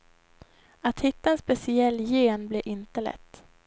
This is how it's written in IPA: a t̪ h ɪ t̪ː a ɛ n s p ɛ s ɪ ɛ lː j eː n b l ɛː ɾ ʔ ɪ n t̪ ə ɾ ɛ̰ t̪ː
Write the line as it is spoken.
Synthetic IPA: a t̪ h ɪ t̪ː a ɛ n s p ɛ s ɪ ɛ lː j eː n b l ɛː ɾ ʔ ɪ n t̪ ə l ɛ̰ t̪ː